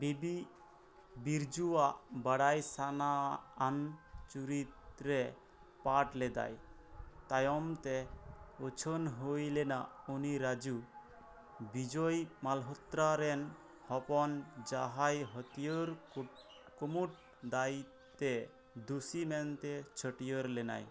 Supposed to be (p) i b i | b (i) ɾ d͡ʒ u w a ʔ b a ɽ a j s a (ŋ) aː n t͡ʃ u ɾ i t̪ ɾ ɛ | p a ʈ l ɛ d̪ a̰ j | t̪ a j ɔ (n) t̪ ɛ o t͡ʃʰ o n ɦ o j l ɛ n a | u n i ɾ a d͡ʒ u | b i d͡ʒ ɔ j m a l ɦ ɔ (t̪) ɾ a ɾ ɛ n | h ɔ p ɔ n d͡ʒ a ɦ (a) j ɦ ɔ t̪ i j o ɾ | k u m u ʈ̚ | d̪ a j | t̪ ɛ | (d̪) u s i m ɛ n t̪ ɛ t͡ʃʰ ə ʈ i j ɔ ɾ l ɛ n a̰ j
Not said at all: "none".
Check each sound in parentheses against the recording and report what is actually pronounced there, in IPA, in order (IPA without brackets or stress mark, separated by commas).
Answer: b, i, n, m, t̪, a, d̪